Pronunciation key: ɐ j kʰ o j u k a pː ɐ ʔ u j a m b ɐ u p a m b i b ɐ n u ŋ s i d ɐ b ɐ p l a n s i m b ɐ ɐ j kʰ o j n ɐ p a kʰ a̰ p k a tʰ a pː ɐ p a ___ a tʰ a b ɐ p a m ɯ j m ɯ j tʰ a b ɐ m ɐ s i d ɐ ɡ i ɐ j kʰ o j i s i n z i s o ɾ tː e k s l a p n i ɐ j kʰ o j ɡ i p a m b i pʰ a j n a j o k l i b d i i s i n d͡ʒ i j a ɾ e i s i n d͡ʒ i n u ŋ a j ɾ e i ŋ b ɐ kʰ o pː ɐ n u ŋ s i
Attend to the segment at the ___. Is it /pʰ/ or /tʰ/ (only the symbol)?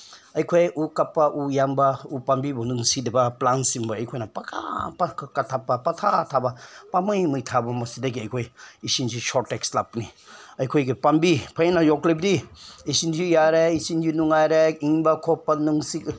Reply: tʰ